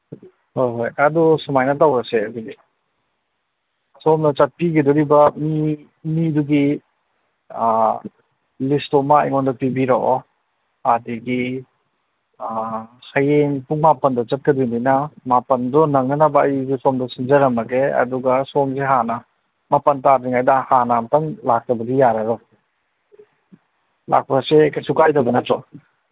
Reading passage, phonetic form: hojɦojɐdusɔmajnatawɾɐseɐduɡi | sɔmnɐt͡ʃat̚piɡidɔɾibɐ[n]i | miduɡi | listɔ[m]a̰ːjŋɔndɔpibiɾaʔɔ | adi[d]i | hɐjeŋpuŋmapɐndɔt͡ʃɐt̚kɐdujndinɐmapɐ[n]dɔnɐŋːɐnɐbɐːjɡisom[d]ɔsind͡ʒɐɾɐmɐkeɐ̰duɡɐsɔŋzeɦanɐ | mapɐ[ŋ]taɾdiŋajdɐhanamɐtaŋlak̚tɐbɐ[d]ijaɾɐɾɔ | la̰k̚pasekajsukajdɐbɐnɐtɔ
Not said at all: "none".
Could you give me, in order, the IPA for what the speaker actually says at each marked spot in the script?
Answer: m, m, ɡ, n, d, n, d

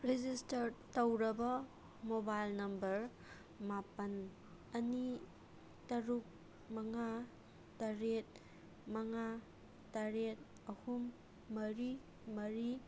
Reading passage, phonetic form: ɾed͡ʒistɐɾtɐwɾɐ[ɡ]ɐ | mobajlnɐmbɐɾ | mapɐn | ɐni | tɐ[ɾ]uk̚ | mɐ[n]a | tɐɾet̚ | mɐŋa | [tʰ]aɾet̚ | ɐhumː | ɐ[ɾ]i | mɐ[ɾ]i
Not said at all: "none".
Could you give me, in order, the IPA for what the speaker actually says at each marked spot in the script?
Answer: b, ɾ, ŋ, t, ɾ, ɾ

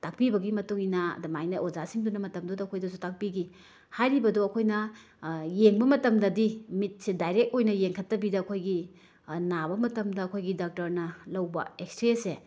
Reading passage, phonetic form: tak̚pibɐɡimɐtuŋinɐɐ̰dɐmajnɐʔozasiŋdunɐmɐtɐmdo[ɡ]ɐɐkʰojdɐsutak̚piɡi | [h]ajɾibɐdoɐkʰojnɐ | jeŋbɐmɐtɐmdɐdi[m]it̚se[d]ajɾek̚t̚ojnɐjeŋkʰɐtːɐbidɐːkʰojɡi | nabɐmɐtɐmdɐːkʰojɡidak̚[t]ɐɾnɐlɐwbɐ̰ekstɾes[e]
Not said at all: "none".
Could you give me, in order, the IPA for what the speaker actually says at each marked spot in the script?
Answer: d, h, m, d, t, e

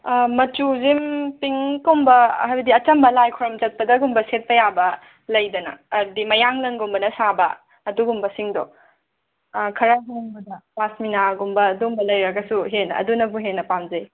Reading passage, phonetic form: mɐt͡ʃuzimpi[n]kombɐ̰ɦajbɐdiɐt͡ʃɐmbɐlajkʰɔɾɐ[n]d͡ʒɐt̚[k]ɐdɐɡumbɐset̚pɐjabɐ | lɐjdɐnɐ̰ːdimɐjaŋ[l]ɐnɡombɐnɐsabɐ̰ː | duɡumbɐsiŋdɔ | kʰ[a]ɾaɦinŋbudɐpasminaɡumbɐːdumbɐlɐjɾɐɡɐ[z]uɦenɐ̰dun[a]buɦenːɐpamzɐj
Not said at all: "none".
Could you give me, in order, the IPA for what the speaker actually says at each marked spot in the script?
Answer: ŋ, m, p, l, ɐ, s, ɐ

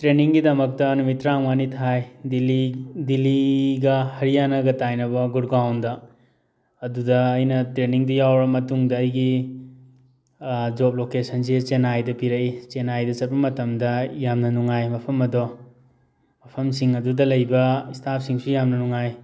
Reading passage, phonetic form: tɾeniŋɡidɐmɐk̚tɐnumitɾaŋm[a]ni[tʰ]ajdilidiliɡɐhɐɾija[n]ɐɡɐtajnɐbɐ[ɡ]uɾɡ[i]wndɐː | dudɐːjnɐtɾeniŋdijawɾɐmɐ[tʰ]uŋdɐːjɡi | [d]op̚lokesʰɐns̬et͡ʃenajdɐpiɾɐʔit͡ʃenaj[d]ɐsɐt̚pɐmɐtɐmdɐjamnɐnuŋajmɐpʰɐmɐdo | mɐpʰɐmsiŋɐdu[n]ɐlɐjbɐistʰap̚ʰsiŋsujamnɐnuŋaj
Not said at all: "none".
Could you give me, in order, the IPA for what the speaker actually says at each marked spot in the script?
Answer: a, tʰ, n, ɡ, a, t, d͡ʒ, d, d

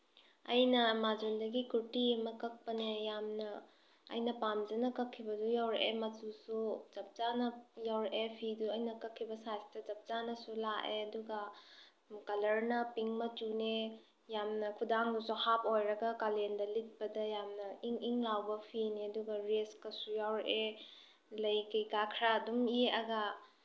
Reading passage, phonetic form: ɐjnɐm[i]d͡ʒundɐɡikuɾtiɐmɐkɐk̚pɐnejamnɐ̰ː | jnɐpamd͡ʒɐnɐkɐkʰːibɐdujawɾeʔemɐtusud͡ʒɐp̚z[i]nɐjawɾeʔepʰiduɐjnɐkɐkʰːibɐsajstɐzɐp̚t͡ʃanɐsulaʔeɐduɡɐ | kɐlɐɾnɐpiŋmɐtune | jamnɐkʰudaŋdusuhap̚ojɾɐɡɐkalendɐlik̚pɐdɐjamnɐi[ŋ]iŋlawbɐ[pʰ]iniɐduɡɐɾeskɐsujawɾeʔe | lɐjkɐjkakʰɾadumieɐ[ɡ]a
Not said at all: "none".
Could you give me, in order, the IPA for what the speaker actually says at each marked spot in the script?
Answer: a, a, ŋ, pʰ, ɡ

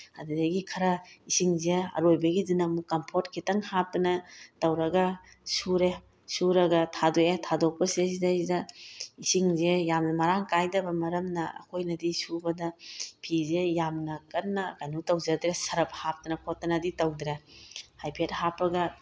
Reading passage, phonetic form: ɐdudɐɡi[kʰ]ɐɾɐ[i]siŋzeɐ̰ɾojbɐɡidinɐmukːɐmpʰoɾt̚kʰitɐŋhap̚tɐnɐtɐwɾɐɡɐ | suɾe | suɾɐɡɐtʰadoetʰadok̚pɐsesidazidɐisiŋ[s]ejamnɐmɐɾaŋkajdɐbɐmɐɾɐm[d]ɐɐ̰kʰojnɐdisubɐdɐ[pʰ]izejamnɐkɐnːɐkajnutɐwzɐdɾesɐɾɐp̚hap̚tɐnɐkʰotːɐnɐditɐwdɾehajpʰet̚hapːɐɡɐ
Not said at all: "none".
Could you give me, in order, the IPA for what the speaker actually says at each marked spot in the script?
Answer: kʰ, i, z, n, pʰ

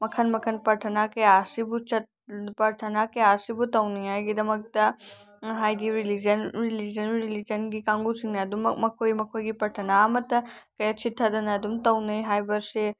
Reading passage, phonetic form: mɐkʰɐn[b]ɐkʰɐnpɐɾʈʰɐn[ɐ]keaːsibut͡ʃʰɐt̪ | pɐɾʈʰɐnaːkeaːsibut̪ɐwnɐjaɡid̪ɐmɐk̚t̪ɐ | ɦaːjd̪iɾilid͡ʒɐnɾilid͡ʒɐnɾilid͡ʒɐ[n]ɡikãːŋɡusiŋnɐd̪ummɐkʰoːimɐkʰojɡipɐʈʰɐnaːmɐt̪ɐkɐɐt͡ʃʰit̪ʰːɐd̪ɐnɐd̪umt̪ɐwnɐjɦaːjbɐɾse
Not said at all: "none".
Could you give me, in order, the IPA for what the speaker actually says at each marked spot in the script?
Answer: m, a, n

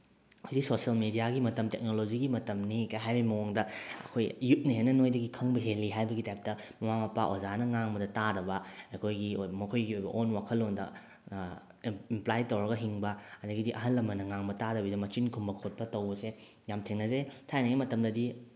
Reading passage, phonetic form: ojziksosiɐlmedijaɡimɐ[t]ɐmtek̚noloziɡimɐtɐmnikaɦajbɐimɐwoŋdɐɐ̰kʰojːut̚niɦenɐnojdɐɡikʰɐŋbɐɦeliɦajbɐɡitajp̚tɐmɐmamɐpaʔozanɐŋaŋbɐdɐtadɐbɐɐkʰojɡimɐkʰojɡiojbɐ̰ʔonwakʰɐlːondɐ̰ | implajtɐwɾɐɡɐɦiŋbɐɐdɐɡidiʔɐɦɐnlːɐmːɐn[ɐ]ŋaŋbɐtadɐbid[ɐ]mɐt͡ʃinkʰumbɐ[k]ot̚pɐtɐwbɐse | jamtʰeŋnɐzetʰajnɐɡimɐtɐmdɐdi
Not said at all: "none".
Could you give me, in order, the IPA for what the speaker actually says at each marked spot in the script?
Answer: t, ɐ, ɐ, kʰ

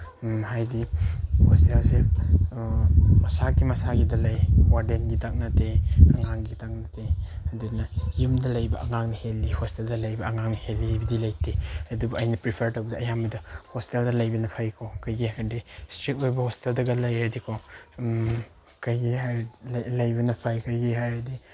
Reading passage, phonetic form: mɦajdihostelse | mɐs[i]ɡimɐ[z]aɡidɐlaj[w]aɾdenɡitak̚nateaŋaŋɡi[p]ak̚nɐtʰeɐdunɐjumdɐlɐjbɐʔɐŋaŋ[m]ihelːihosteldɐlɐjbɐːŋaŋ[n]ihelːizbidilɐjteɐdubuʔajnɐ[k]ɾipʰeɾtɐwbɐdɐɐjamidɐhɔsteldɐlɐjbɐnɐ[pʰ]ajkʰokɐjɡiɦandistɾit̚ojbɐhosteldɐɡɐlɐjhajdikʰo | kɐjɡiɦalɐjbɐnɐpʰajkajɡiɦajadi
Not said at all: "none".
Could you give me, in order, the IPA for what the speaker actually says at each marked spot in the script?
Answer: a, s, w, t, n, n, p, pʰ

